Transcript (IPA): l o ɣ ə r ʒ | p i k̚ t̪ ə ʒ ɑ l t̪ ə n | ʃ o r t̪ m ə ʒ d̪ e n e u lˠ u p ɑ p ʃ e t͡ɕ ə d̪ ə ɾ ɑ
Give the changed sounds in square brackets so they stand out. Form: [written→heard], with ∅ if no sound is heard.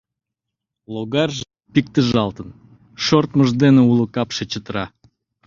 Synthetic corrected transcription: l o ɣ [ə→ɑ] r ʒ | p i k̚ t̪ ə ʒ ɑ l t̪ ə n | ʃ o r t̪ m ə ʒ d̪ e n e u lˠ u [p→k] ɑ p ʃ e t͡ɕ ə [d̪→t̪] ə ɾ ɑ